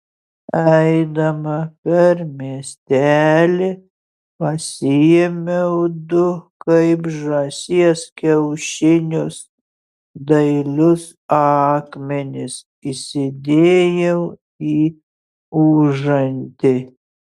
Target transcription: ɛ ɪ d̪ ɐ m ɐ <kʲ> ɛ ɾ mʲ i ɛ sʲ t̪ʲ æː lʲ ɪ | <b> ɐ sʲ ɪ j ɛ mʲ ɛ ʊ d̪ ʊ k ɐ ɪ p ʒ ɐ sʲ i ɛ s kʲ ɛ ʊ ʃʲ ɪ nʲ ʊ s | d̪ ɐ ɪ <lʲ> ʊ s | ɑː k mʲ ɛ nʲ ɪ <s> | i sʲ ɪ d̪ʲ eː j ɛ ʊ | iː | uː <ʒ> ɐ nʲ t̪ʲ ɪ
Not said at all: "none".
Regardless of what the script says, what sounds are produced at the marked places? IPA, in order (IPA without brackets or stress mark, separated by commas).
pʲ, p, lʲ, s, ʒ